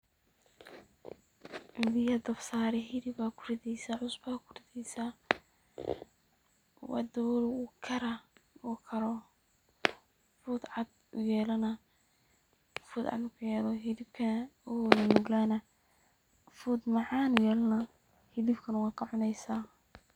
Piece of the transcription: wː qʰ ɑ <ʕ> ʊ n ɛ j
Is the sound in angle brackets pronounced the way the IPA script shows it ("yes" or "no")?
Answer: yes